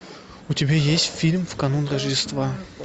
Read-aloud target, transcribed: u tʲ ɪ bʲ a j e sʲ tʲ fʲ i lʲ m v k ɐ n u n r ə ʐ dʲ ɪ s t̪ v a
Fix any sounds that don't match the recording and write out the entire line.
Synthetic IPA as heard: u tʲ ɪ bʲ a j e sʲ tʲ fʲ i lʲ m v k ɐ n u n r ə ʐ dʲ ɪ s t̪ v a